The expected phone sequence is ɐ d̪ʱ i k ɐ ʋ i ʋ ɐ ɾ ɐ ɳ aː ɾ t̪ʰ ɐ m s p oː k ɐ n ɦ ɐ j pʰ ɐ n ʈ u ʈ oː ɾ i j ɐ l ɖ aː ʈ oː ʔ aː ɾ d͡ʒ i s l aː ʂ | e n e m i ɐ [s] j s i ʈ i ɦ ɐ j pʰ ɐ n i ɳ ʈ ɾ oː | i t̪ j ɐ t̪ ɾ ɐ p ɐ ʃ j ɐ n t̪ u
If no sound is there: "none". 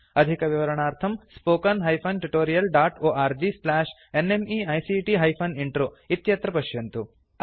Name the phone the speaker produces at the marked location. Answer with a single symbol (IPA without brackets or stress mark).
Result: none